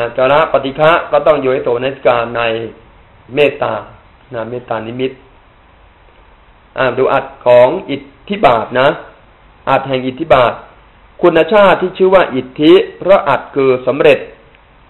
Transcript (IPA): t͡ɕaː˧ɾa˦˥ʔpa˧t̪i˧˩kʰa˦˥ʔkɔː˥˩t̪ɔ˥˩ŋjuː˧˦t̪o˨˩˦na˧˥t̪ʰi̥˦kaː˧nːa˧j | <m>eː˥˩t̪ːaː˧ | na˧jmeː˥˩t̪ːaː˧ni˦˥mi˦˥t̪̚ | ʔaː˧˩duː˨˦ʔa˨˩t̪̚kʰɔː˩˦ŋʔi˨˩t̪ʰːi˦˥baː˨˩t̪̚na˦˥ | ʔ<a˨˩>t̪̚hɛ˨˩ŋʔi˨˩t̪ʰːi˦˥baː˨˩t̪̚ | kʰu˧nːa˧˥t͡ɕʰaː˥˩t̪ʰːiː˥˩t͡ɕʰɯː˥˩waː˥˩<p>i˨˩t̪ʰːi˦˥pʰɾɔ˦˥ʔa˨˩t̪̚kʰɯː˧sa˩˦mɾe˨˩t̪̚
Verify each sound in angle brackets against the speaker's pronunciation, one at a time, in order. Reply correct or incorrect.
correct, correct, incorrect: ʔ

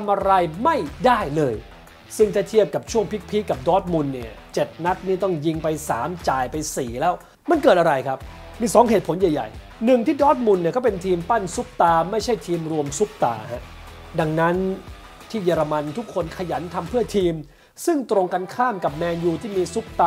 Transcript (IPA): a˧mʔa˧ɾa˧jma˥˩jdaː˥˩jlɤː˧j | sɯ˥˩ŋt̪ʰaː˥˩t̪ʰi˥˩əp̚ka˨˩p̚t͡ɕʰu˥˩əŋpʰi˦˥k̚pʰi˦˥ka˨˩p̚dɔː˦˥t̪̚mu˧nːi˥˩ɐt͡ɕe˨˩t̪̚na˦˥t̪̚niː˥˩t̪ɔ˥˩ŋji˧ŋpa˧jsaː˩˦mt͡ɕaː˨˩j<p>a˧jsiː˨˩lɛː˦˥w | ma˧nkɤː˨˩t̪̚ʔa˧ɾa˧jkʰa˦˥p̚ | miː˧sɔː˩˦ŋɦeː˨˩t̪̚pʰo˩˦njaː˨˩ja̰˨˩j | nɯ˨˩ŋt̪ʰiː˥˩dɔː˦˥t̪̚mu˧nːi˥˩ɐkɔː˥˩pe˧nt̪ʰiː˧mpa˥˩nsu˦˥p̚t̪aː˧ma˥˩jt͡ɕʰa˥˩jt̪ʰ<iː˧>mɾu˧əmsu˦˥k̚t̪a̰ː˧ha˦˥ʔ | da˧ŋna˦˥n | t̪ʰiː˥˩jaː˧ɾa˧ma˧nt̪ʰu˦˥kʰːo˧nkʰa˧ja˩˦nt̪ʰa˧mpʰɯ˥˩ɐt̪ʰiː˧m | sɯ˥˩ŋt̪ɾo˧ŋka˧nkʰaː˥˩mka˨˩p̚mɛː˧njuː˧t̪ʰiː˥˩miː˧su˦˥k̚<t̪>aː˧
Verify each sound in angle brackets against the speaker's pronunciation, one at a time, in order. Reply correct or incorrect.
correct, correct, correct

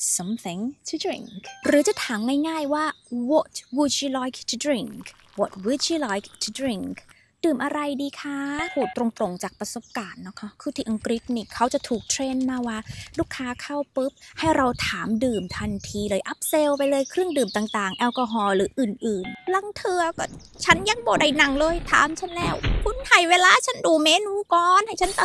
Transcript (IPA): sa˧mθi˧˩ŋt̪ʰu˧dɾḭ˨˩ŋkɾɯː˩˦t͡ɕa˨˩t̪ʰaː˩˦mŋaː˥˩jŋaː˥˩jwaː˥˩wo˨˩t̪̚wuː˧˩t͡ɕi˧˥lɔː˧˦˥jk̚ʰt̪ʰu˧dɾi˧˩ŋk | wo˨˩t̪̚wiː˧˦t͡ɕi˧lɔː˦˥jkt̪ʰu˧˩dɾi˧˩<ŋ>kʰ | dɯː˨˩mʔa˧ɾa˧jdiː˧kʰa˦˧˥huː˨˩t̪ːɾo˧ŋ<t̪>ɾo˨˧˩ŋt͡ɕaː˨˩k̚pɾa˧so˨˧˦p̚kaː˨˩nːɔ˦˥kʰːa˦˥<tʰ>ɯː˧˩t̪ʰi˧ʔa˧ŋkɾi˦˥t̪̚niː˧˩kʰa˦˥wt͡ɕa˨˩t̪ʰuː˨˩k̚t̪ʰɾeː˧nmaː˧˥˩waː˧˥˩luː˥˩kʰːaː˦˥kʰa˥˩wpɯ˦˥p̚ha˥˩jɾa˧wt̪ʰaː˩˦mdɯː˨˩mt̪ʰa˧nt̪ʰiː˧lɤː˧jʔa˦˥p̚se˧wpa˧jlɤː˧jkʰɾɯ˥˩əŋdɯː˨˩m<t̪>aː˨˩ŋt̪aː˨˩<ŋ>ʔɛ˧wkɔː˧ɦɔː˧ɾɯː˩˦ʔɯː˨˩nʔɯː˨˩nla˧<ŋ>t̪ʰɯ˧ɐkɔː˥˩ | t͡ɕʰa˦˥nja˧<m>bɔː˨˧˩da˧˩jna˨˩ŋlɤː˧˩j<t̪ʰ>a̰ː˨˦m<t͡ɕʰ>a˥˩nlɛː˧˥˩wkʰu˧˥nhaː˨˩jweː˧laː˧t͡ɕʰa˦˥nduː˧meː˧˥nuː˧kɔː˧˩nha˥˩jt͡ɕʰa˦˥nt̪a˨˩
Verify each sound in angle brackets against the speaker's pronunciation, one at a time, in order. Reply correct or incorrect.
correct, correct, incorrect: kʰ, correct, correct, correct, incorrect: ŋ, correct, correct

